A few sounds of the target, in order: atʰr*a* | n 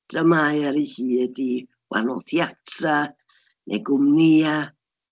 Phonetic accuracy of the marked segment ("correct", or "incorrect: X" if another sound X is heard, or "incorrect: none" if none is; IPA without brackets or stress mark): correct